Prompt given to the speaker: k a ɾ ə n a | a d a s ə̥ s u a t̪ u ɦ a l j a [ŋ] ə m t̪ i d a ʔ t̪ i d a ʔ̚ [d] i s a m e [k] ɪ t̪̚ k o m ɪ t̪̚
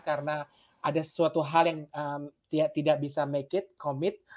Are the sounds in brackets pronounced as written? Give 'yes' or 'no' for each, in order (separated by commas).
yes, no, yes